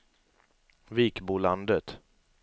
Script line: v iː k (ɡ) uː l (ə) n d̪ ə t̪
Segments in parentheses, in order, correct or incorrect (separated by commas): incorrect, incorrect